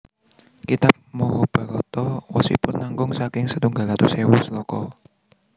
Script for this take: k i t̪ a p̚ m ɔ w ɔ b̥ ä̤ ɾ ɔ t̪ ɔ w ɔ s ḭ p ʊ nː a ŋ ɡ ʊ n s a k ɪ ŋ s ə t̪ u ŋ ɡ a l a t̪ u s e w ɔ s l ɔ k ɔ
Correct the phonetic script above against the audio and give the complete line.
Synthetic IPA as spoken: k i t̪ a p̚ m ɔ w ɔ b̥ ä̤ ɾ ɔ t̪ ɔ w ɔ s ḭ p ʊ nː a ŋ ɡ ʊ ŋ s a k ɪ ŋ s ə t̪ u ŋ ɡ a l a t̪ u s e w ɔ s l ɔ k ɔ